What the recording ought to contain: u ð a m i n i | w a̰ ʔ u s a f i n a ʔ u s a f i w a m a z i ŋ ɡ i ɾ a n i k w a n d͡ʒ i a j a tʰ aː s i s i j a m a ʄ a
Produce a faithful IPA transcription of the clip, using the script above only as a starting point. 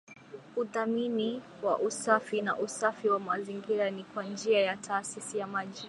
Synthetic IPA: u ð a m i n i | w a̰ ʔ u s a f i n a ʔ u s a f i w a m a z i ŋ ɡ i ɾ a n i k w a n d͡ʒ i a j a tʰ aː s i s i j a m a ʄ i